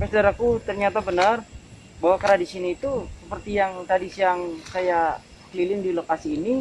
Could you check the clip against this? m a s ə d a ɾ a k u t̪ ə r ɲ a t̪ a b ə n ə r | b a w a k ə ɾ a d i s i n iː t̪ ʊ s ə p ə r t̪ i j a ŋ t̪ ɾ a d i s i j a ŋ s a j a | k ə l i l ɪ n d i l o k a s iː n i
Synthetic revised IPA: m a s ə d a ɾ a k u t̪ ə r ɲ a t̪ a b ə n ə r | b a w a k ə ɾ a d i s i n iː t̪ u s ə p ə r t̪ i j a ŋ t̪ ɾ a d i s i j a ŋ s a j a | k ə l i l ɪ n d i l o k a s iː n i